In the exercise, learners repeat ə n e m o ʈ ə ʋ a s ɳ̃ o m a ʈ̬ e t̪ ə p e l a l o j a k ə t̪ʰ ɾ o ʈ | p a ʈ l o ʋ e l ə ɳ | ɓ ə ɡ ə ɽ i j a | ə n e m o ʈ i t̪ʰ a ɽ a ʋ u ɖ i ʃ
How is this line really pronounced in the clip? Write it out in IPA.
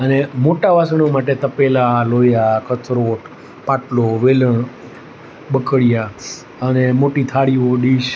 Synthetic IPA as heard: ə n e m o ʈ a ʋ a s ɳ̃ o m a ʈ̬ e t̪ ə p e l a l o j a k ə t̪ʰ ɾ o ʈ | p a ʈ l o ʋ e l ə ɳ | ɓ ə k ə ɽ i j a | ə n e m o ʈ i t̪ʰ a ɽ i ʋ o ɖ i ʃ